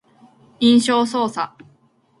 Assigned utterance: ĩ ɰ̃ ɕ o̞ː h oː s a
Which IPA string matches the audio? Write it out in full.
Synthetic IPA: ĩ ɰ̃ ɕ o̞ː s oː s a